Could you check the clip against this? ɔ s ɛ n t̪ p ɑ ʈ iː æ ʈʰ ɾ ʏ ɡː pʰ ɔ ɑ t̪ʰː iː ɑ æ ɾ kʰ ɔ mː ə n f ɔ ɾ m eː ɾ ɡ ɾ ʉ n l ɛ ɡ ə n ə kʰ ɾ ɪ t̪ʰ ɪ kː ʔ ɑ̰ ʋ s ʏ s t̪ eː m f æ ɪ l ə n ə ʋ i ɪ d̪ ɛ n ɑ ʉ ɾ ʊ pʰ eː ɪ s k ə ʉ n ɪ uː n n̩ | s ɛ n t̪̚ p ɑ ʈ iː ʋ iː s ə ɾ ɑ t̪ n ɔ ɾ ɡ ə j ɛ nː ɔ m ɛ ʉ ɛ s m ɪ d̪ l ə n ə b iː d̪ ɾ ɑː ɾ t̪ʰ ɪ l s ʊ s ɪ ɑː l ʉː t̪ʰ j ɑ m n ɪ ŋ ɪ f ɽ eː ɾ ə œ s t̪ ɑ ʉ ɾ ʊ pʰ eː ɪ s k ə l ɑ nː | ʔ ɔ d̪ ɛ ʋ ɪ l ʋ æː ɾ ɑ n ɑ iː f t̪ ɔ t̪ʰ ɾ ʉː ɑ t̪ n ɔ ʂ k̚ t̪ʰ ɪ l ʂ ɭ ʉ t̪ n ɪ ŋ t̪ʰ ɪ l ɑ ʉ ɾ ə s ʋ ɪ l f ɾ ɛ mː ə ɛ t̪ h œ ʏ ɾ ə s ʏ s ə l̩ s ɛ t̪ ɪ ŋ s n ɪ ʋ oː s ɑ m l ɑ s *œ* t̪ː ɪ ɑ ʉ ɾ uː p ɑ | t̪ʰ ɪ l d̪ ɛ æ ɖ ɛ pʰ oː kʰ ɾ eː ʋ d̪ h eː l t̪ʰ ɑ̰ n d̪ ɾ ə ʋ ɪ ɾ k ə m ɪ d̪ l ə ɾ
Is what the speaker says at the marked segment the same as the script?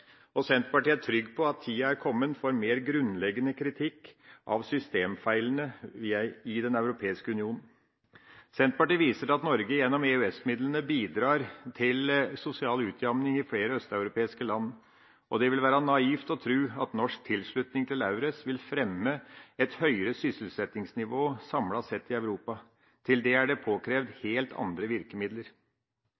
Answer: no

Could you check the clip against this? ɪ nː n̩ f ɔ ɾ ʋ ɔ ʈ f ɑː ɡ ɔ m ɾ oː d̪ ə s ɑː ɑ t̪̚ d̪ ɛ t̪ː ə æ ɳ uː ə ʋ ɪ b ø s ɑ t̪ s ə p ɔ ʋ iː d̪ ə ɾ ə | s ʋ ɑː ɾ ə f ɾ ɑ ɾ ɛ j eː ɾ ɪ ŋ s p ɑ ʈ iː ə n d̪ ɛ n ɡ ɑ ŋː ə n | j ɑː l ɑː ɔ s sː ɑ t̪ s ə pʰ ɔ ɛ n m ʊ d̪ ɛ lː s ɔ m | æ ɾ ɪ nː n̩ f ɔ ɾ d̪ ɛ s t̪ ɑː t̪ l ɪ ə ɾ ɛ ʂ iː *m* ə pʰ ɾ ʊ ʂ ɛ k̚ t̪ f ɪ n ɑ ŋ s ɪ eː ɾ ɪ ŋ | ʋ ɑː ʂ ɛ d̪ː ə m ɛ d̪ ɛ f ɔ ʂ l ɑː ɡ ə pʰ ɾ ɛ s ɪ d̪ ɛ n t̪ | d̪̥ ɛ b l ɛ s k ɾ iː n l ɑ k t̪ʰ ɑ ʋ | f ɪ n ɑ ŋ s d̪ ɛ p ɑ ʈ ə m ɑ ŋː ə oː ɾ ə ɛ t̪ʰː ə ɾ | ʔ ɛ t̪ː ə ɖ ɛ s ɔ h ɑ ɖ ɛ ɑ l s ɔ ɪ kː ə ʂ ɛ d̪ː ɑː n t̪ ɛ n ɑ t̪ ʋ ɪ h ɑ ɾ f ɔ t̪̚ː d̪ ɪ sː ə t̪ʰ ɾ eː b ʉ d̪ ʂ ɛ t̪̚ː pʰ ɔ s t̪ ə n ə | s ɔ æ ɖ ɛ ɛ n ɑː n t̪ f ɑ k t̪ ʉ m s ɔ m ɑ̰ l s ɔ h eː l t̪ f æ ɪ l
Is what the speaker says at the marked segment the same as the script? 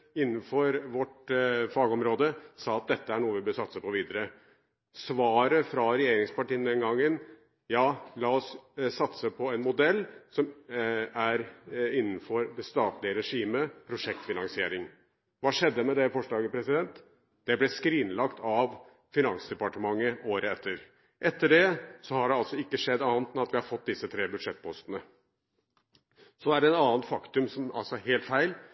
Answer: yes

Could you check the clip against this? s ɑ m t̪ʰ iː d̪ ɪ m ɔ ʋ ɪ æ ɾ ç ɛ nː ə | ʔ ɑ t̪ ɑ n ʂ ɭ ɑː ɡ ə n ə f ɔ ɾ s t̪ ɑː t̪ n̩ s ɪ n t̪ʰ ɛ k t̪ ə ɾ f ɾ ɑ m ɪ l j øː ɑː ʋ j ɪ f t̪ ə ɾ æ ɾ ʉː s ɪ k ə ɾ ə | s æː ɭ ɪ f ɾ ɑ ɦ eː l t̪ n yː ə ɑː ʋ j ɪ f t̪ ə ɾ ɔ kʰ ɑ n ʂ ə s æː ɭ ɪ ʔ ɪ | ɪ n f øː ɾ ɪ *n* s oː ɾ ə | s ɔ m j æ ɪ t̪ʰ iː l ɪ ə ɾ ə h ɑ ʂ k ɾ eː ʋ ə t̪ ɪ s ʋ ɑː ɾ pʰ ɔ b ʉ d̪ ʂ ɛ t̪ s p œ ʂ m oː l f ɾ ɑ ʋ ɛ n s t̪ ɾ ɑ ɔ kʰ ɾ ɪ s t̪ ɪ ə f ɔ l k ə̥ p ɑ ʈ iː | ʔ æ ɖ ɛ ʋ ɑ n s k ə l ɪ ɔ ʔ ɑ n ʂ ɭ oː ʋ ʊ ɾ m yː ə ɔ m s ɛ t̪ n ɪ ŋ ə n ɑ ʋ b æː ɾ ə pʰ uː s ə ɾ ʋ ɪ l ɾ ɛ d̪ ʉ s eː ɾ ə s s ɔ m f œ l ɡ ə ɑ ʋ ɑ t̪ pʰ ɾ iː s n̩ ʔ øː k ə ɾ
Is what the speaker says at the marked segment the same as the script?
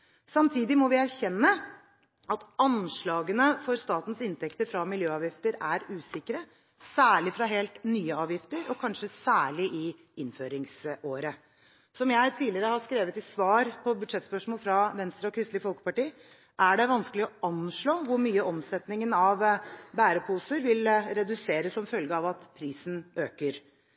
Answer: no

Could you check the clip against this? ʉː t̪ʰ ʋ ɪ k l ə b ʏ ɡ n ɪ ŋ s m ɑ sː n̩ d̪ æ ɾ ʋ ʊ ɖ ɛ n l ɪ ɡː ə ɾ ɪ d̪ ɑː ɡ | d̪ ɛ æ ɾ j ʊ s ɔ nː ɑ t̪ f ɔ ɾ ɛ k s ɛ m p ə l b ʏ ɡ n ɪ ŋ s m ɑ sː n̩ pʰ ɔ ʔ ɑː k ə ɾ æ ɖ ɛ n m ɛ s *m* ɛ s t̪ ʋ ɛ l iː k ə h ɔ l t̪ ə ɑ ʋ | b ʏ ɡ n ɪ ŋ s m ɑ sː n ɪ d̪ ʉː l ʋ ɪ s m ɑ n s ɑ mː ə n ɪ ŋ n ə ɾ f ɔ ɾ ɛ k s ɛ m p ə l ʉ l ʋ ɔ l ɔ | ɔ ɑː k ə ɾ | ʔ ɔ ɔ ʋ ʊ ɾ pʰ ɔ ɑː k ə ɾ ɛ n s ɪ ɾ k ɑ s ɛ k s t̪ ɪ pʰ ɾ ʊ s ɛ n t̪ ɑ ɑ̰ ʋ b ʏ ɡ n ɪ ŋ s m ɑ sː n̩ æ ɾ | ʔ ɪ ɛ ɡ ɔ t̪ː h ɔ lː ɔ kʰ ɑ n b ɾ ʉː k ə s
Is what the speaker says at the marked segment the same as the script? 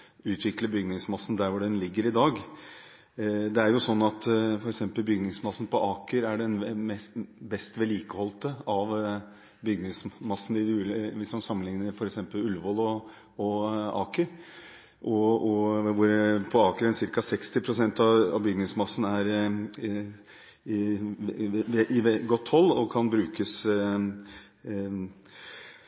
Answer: no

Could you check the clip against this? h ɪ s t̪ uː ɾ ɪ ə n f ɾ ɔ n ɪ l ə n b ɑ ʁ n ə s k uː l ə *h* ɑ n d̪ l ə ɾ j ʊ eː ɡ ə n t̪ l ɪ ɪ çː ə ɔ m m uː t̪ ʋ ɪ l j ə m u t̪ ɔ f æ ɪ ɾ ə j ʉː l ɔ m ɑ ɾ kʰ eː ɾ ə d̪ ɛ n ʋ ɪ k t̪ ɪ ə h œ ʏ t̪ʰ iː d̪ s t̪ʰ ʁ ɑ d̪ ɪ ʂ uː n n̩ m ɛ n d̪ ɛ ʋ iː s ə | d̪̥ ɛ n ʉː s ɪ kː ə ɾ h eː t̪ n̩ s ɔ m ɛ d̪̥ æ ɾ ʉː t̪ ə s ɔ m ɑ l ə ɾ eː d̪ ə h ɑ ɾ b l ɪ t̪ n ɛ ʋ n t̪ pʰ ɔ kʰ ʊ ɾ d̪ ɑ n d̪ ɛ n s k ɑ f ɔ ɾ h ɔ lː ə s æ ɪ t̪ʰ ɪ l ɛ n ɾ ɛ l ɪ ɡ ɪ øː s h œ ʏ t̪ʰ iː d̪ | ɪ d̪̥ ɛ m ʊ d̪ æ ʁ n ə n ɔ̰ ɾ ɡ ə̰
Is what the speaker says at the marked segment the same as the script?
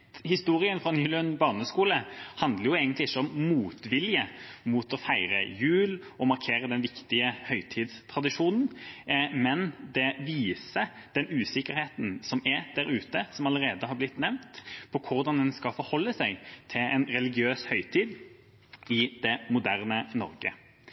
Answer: yes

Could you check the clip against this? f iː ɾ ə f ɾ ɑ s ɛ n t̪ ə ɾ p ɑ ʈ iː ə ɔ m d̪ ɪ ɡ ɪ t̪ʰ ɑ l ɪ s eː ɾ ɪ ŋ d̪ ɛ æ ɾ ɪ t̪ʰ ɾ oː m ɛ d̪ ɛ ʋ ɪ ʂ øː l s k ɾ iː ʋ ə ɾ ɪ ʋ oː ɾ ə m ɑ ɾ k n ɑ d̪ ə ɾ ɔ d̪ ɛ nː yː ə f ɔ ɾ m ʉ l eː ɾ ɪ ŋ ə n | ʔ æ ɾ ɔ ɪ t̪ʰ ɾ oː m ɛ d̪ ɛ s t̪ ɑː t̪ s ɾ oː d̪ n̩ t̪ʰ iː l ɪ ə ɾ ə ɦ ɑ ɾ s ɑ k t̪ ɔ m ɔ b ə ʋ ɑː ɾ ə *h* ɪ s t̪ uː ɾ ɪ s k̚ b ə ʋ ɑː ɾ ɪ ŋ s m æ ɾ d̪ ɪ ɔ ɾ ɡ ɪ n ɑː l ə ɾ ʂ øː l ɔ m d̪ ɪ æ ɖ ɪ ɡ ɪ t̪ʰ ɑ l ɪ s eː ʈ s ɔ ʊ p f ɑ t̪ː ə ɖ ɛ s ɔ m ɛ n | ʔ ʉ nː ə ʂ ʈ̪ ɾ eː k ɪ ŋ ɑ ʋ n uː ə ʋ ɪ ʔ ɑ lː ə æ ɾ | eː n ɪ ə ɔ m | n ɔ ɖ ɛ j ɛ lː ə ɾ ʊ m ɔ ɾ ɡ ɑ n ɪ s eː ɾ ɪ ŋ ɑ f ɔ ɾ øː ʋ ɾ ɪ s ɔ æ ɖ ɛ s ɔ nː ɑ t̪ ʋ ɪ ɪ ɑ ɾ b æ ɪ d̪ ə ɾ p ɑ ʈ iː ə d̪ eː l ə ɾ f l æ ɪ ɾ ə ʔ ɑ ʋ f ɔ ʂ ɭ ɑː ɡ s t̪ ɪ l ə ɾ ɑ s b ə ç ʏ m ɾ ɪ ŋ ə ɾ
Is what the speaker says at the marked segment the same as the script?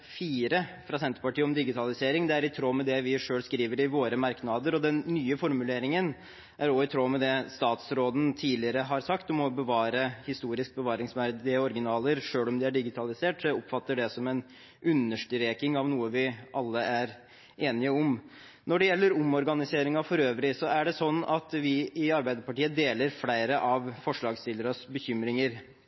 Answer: yes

